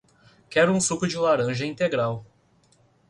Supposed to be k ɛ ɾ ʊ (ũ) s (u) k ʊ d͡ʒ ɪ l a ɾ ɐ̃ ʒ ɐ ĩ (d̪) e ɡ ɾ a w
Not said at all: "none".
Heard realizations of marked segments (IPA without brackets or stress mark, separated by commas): ũ, u, t̪